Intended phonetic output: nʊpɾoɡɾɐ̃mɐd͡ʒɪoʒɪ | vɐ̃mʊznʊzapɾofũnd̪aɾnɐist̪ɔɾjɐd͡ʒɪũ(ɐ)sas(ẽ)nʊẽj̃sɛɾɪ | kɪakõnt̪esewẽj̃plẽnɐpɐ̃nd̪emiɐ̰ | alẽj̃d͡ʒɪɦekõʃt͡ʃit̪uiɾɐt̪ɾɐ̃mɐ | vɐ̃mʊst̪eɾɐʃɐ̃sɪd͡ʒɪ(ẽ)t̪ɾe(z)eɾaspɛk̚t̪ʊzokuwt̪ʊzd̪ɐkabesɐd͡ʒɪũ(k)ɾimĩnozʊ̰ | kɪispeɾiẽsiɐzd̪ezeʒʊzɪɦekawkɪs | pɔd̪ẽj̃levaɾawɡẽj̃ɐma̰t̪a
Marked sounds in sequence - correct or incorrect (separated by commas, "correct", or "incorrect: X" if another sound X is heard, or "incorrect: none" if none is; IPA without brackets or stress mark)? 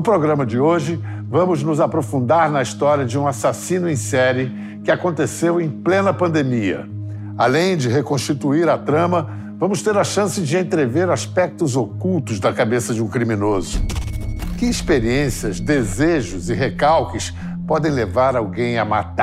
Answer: incorrect: a, incorrect: ĩ, correct, incorrect: v, correct